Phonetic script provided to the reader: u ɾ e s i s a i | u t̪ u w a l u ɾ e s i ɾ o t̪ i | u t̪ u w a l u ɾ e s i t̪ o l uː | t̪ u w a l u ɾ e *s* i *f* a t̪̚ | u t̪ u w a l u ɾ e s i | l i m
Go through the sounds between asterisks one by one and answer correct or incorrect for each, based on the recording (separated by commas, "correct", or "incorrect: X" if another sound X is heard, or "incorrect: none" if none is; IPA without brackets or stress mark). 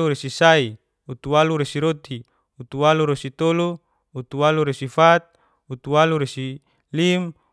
correct, correct